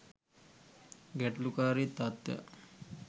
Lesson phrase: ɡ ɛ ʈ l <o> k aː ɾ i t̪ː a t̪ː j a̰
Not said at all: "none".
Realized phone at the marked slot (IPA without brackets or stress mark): u